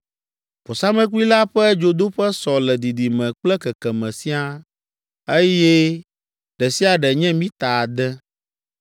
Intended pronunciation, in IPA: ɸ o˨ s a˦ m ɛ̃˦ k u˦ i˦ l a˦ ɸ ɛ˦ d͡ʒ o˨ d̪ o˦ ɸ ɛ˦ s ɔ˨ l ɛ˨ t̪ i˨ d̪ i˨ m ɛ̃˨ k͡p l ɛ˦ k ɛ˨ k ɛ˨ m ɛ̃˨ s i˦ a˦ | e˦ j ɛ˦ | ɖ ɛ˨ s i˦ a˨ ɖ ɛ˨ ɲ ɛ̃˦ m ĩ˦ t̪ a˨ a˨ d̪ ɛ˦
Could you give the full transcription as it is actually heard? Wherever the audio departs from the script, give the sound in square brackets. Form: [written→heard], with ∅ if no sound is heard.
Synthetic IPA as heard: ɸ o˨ s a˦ m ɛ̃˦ k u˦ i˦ l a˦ ɸ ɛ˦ d͡ʒ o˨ d̪ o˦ ɸ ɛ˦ s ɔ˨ l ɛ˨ [t̪→d̪] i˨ d̪ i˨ m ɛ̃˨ k͡p l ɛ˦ k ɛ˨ k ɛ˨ m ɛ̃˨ s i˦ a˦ | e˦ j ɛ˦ | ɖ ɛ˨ s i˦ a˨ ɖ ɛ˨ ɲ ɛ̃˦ m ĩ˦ t̪ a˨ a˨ d̪ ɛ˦